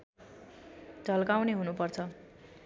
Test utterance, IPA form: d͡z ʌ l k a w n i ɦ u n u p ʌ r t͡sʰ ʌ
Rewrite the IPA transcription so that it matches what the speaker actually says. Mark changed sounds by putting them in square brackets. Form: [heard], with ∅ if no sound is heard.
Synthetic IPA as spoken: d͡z ʌ l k a w n [e] ɦ u n u p ʌ r t͡sʰ ʌ

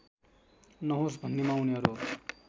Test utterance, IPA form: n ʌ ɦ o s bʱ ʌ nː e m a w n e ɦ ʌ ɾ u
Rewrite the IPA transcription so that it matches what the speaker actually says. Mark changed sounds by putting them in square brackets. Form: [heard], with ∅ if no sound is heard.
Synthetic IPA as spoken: n ʌ ɦ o s bʱ ʌ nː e m a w n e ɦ ʌ ɾ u

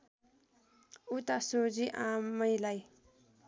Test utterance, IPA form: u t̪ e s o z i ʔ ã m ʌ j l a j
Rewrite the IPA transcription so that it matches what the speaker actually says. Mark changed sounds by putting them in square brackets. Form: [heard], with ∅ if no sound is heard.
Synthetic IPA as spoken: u t̪ [a] s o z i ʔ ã m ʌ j l a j

